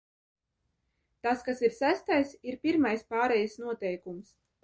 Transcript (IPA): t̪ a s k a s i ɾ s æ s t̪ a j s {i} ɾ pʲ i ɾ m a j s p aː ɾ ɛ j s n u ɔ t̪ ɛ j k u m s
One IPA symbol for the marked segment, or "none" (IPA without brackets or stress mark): i